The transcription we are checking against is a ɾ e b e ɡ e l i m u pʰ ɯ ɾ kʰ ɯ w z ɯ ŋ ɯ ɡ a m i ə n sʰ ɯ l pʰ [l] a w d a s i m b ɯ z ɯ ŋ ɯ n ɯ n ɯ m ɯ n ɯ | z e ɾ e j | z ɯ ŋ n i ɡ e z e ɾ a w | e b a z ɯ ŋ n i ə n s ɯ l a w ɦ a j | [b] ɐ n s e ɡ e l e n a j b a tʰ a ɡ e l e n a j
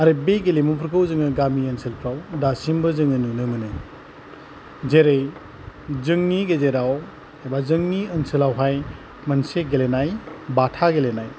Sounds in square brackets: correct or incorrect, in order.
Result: incorrect: ɾ, incorrect: m

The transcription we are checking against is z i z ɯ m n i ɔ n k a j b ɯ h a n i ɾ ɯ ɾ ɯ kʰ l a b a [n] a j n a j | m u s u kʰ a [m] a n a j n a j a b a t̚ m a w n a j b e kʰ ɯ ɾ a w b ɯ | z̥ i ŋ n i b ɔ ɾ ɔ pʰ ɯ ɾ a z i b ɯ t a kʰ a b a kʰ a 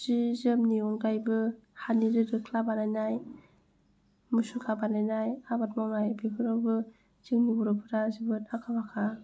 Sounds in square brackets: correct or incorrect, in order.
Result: correct, incorrect: b

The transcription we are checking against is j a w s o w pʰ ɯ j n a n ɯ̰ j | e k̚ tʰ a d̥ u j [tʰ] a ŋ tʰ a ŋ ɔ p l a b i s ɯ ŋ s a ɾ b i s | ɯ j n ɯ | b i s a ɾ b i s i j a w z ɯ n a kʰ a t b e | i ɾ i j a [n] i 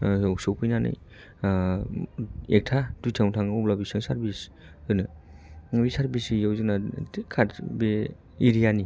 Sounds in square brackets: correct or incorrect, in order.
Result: correct, correct

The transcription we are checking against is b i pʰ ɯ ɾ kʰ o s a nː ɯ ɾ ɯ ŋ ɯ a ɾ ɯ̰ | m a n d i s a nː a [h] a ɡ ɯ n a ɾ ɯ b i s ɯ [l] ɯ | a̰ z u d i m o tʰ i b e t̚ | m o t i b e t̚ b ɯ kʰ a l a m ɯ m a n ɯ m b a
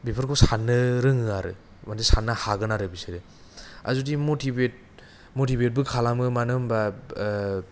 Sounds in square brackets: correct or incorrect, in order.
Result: correct, incorrect: ɾ

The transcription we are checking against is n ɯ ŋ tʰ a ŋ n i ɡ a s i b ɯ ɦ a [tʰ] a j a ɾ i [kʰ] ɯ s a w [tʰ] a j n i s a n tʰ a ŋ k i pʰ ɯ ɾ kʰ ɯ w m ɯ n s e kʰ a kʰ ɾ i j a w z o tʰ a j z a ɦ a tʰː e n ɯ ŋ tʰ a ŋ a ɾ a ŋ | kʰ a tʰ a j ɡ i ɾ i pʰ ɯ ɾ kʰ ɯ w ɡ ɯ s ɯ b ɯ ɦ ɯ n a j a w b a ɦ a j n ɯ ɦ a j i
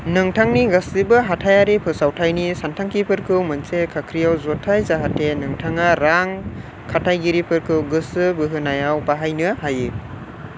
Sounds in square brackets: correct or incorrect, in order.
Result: correct, incorrect: pʰ, correct

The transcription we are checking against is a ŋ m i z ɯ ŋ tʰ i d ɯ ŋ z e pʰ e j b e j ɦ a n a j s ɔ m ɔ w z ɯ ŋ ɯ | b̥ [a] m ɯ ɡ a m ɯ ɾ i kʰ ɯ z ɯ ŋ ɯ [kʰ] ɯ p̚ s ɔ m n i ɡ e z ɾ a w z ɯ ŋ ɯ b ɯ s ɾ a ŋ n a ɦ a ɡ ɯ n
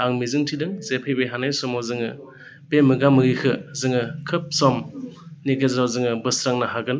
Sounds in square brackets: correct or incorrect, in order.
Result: incorrect: e, correct

